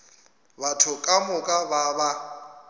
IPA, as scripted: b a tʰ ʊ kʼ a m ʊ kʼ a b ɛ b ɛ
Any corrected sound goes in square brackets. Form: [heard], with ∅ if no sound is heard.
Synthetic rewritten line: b a tʰ ʊ kʼ a m ʊ kʼ a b [a] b [a]